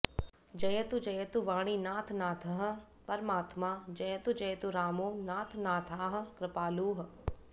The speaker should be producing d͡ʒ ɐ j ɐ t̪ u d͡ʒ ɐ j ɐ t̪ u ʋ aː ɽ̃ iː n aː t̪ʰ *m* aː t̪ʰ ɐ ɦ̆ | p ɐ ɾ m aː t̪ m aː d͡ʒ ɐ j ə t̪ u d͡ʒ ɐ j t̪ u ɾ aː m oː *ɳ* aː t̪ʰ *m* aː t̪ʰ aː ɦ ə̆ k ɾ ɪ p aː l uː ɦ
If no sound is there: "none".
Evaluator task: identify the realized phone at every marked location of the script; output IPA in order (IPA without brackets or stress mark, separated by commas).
n, n, n